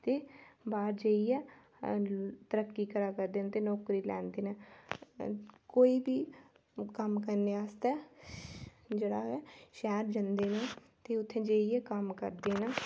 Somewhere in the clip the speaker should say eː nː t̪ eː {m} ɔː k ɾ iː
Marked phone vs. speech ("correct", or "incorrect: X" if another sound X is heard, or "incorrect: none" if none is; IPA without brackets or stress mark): incorrect: n